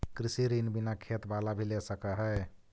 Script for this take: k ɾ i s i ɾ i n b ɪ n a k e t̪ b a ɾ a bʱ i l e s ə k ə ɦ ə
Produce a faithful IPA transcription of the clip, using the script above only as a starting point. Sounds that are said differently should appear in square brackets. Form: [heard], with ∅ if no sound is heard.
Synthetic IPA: k ɾ i s i ɾ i n b [i] n a [kʰ] e t̪ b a [l] a bʱ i l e s ə k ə ɦ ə